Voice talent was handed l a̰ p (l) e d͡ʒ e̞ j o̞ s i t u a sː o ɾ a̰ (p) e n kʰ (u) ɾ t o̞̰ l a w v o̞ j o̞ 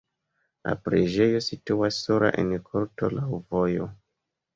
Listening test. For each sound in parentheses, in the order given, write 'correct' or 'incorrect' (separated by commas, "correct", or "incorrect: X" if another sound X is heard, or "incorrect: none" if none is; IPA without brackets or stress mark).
incorrect: ɾ, incorrect: ʔ, incorrect: o